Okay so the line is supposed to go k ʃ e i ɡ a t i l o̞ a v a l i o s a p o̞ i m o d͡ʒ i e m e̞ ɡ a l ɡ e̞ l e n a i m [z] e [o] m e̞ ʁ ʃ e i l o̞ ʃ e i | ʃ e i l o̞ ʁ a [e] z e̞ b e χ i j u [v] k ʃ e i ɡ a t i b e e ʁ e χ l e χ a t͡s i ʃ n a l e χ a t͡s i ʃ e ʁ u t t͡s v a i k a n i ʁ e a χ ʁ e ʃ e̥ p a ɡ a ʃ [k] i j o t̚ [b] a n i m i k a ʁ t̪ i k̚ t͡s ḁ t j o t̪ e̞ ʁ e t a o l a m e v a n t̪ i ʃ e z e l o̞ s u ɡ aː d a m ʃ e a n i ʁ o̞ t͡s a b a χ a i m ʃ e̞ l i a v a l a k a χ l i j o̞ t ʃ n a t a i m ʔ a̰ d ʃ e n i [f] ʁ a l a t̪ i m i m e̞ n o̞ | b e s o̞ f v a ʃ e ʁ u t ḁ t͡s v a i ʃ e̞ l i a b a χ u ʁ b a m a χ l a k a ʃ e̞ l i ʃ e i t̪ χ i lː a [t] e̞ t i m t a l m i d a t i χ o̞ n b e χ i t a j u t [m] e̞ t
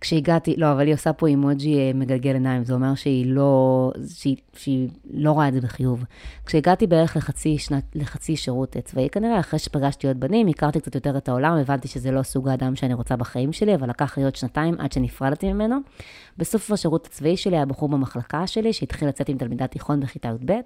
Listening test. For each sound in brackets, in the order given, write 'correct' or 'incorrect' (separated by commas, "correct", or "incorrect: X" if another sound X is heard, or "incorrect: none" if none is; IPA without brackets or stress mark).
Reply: correct, correct, correct, correct, incorrect: t, correct, correct, incorrect: t͡s, incorrect: b